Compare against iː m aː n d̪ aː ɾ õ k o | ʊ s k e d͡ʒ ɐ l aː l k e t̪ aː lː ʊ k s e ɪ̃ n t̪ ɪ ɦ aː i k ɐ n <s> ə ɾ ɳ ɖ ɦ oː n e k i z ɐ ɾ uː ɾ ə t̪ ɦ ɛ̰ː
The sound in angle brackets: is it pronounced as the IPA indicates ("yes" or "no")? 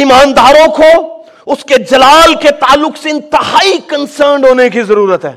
yes